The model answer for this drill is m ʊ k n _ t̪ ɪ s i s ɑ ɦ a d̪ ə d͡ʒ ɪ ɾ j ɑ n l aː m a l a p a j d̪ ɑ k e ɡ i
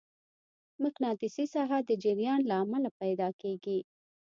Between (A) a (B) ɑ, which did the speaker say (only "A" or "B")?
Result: B